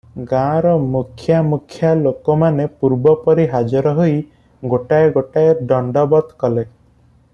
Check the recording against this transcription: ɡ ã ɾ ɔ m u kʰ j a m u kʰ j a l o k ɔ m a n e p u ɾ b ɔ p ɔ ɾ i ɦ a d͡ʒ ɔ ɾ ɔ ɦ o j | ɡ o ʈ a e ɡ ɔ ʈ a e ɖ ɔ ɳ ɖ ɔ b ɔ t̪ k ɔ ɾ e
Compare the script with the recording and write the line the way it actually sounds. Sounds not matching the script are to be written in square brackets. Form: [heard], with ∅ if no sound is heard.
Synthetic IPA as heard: ɡ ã ɾ ɔ m u kʰ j a m u kʰ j a l o k ɔ m a n e p u ɾ b ɔ p ɔ ɾ i ɦ a d͡ʒ ɔ ɾ ɔ ɦ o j | ɡ o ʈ a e ɡ [o] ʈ a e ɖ ɔ ɳ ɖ ɔ b ɔ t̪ k ɔ [l] e